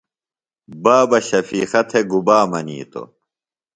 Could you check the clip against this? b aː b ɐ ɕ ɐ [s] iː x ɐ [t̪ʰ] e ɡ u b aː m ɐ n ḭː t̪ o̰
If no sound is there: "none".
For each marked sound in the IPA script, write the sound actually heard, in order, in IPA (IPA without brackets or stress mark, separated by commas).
f, t̪ʰ